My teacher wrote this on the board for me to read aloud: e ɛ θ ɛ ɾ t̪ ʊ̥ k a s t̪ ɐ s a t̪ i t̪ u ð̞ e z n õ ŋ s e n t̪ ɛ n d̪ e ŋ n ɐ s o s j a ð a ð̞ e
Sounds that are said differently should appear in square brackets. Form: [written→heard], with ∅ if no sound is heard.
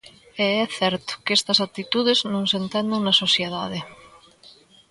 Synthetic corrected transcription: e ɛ θ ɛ ɾ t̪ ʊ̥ k [a→e] s t̪ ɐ s a t̪ i t̪ u ð̞ e z n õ ŋ s e n t̪ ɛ n d̪ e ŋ n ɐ s o s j [a→e] ð a ð̞ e